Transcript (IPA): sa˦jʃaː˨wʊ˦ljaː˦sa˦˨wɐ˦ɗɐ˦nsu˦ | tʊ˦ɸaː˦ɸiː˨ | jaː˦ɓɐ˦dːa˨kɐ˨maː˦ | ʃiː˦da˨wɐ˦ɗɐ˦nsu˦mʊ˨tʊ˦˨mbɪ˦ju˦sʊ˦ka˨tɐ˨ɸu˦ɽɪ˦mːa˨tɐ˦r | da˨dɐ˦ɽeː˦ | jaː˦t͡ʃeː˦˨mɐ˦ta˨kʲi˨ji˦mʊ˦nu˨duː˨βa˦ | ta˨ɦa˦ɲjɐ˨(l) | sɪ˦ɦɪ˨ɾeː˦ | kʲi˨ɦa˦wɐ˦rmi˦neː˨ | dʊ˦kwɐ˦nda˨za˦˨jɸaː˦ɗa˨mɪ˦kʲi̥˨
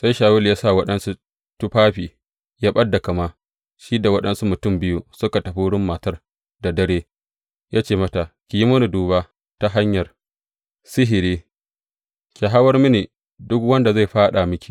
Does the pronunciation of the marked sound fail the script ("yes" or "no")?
yes